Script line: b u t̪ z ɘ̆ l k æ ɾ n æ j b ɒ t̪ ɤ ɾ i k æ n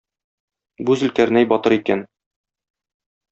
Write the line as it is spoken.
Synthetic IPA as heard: b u z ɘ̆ l k æ ɾ n æ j b ɒ t̪ ɤ ɾ i k æ n